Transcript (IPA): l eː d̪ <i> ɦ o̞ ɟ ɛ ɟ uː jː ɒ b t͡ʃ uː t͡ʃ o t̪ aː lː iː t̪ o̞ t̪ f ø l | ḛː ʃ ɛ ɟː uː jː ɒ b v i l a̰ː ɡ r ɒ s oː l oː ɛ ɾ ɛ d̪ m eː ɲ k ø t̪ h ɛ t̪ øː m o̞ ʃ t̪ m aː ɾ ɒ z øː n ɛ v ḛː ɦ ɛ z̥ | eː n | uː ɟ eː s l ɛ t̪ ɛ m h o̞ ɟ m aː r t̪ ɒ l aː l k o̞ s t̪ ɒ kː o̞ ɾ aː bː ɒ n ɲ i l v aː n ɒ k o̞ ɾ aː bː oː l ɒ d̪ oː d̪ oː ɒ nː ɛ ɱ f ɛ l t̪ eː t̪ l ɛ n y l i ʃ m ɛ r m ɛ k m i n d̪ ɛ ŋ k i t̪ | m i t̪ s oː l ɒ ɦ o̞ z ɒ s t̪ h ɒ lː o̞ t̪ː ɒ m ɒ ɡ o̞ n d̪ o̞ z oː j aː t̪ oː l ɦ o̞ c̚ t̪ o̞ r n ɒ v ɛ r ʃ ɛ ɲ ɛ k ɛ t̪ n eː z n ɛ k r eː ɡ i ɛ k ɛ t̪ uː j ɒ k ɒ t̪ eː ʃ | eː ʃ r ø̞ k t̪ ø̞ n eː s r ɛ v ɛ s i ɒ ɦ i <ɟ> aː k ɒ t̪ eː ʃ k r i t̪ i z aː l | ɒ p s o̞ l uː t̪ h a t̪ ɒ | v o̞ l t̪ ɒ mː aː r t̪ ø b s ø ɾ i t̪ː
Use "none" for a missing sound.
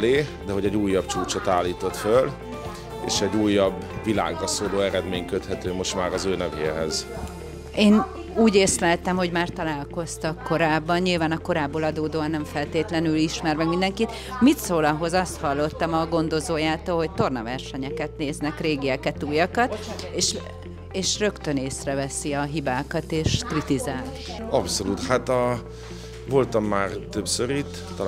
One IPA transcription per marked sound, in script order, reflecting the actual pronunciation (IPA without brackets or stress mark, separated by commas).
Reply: ɛ, b